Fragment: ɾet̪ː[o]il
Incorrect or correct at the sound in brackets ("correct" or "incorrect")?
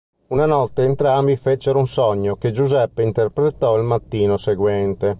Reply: incorrect